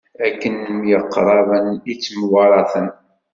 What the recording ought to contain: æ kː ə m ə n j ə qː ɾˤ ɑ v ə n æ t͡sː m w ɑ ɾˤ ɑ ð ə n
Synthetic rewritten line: æ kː ə n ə m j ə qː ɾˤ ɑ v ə n i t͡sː m w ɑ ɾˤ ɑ θ ə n